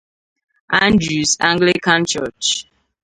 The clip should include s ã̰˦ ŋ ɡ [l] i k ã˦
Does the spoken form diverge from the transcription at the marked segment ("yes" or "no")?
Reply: no